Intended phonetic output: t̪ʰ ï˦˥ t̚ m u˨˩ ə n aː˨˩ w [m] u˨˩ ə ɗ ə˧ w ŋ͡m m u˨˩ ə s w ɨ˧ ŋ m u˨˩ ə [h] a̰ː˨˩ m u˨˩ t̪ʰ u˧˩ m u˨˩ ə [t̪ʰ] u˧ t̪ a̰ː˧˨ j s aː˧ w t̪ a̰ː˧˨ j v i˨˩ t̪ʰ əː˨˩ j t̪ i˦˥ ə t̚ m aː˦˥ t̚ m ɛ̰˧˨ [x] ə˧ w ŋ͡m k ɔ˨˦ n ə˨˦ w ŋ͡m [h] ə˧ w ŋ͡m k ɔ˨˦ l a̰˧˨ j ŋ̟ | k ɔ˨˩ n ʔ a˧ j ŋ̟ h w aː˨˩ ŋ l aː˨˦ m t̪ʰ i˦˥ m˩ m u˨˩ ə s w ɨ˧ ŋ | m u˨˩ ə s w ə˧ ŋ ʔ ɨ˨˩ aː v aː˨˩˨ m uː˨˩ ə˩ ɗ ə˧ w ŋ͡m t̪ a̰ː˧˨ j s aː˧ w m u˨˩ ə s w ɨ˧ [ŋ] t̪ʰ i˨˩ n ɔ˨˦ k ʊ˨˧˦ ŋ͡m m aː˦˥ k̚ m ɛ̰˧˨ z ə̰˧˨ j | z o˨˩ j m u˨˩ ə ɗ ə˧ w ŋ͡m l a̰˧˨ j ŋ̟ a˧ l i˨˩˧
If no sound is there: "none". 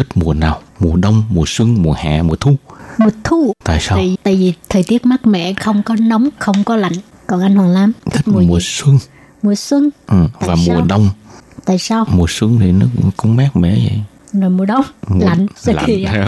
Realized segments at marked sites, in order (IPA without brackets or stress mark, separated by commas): m, h, t̪ʰ, x, x, ŋ